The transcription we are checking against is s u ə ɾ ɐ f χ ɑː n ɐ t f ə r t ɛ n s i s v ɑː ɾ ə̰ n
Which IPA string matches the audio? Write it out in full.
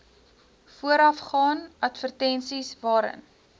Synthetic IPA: f u ə ɾ ɐ f χ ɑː n ɐ t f ə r t ɛ n s i s v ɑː ɾ ə̰ n

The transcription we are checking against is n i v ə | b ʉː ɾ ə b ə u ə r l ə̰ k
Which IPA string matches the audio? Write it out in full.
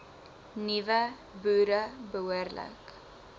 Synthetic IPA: n i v ə | b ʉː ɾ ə b ə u ə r l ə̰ k

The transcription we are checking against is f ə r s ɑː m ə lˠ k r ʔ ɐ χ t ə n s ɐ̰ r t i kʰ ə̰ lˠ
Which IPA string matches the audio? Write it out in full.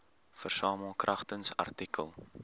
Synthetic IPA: f ə r s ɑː m ə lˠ k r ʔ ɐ χ t ə n s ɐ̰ r t i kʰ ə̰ lˠ

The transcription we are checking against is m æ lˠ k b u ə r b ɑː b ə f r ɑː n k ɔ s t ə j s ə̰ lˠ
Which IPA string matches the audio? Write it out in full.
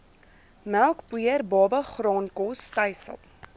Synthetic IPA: m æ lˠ k b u ə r b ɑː b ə χ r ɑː n k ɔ s t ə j s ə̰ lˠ

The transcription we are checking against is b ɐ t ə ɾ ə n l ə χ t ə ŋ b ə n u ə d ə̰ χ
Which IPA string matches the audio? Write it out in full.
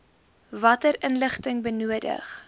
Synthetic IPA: v ɐ t ə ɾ ə n l ə χ t ə ŋ b ə n u ə d ə̰ χ

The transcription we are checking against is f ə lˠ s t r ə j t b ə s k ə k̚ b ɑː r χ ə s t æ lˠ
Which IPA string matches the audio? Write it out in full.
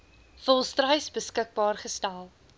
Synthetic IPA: f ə lˠ s t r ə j s b ə s k ə k̚ b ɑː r χ ə s t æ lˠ

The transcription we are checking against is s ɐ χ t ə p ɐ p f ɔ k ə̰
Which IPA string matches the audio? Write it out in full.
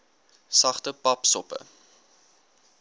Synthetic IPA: s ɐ χ t ə p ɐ p s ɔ p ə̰

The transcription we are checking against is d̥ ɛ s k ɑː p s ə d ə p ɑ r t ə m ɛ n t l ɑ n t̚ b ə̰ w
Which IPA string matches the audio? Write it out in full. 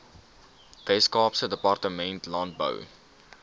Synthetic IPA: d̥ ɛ s k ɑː p s ə d ə p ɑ r t ə m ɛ n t l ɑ n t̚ b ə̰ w

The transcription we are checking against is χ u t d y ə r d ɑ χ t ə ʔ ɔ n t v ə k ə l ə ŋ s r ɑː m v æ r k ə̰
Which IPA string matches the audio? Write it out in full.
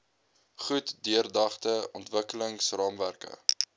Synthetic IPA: χ u t d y ə r d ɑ χ t ə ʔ ɔ n t v ə k ə l ə ŋ s r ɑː m v æ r k ə̰

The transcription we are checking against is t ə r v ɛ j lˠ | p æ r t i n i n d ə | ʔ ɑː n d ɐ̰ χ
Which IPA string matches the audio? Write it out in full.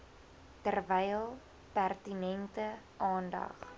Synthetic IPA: t ə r v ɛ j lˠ | p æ r t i n ɛ n t ə | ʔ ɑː n d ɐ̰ χ

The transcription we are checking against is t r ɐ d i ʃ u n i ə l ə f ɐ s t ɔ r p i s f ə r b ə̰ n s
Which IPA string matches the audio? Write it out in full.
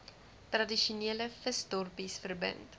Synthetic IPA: t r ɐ d i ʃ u n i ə l ə f ə s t ɔ r p i s f ə r b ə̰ n t

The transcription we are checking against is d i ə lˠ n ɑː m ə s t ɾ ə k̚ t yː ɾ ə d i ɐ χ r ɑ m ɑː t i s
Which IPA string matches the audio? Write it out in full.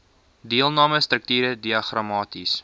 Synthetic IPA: d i ə lˠ n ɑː m ə s t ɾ ə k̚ t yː ɾ ə d i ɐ χ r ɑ m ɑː t i s

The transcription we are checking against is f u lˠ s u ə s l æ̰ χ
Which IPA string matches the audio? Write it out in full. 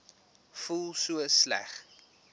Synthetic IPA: f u lˠ s u ə s l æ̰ χ

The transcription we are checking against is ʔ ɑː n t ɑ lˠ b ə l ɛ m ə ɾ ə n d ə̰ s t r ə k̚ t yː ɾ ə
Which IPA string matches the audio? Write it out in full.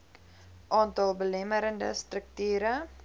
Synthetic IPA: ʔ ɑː n t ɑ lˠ b ə l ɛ m ə ɾ ə n d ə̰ s t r ə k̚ t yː ɾ ə

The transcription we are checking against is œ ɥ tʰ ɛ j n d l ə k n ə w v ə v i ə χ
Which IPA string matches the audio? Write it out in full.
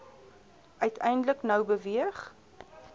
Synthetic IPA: œ ɥ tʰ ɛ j n d l ə k n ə w b ə v i ə χ

